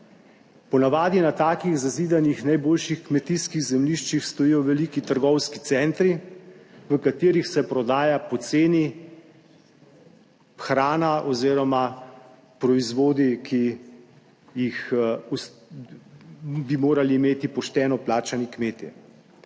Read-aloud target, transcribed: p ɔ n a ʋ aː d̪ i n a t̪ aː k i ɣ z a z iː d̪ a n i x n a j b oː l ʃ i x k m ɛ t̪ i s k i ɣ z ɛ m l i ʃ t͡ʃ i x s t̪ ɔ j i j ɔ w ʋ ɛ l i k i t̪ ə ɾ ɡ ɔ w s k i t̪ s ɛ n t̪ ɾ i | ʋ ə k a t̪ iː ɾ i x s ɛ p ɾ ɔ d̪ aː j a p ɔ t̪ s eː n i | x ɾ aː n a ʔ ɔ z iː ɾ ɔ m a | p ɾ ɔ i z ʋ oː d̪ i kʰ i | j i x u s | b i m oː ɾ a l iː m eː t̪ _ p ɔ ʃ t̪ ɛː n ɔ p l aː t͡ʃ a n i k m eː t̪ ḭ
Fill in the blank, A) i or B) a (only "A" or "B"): A